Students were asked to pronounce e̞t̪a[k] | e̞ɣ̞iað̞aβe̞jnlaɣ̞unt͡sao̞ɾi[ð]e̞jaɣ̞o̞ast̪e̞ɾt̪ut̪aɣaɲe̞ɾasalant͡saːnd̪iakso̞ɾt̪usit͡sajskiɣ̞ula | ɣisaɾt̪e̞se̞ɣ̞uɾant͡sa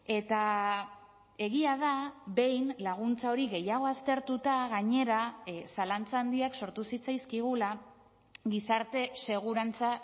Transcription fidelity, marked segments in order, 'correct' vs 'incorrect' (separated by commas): incorrect, incorrect